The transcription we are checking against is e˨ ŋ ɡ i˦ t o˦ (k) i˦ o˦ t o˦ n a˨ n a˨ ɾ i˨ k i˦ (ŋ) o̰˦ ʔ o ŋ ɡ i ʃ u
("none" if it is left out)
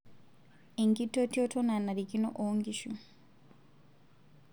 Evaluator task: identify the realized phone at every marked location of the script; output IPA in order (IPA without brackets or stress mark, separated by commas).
t, n